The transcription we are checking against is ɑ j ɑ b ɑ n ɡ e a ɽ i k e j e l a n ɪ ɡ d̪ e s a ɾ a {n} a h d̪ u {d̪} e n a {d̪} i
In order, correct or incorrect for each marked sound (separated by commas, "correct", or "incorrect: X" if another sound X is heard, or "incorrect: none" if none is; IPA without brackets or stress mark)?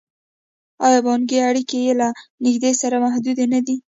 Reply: incorrect: m, correct, correct